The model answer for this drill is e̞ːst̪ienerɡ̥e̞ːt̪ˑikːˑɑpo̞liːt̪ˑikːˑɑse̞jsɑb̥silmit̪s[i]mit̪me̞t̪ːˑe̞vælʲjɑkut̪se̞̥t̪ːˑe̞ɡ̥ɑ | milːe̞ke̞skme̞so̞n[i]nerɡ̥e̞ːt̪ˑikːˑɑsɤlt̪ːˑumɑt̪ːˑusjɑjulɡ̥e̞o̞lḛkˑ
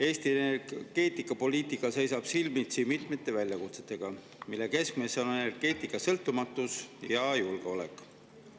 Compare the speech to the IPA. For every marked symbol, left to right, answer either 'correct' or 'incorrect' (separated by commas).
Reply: correct, incorrect